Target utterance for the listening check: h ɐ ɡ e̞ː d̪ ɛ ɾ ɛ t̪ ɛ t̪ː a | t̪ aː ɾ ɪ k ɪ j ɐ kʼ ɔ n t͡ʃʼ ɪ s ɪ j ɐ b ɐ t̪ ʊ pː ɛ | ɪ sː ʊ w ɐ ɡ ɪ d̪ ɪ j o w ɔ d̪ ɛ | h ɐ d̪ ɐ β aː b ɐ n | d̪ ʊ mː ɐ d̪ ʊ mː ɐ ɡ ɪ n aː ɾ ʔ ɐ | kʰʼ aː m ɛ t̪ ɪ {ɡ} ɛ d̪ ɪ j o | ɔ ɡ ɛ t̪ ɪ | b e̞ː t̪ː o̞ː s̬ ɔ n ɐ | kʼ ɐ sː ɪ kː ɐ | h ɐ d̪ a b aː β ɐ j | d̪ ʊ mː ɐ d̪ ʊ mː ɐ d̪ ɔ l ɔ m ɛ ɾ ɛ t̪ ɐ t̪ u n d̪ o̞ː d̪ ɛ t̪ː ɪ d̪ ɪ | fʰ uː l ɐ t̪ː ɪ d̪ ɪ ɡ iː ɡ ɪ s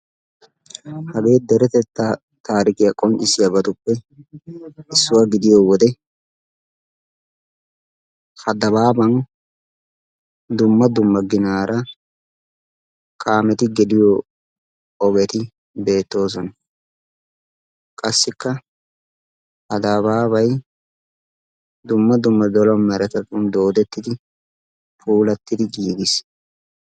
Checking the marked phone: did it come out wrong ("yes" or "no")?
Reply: no